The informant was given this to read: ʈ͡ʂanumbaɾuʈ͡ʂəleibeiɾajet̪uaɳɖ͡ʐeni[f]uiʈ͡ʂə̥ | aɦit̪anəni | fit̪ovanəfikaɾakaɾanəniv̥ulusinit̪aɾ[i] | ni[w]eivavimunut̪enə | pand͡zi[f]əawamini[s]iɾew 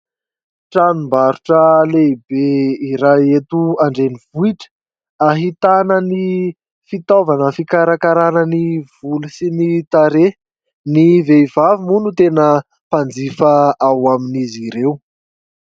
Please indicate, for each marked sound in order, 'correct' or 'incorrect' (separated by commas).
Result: incorrect, incorrect, incorrect, correct, incorrect